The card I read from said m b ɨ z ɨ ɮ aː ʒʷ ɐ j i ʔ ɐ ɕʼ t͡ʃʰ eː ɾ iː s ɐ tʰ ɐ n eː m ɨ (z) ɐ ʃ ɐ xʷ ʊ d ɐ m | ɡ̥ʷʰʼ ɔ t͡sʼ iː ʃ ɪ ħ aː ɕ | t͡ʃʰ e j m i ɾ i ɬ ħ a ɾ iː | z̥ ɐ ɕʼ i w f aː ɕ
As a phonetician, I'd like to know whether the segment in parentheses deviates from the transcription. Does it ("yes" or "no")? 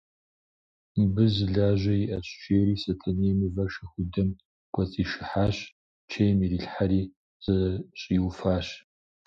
yes